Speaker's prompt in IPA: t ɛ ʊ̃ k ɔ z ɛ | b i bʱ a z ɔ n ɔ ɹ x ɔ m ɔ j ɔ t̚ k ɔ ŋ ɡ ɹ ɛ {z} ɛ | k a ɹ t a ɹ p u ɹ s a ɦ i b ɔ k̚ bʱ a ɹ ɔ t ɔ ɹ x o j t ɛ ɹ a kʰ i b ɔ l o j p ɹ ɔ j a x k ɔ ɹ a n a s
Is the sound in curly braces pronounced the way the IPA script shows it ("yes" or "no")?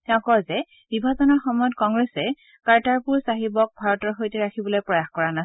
no